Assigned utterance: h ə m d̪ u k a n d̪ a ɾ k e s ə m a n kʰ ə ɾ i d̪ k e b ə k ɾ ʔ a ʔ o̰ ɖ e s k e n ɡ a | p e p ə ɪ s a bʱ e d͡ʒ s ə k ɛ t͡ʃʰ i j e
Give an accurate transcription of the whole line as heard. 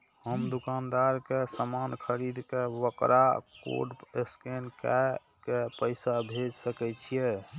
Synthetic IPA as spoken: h ə m d̪ u k a n d̪ a ɾ k e s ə m a n kʰ ə ɾ i d̪ k e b ə k ɾ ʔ a k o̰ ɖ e s k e n k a | k e p ə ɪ s a bʱ e d͡ʒ s ə k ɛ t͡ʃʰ i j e